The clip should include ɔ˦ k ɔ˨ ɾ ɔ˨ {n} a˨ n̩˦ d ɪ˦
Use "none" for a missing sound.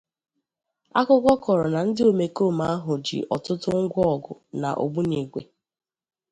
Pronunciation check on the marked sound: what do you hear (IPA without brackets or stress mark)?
n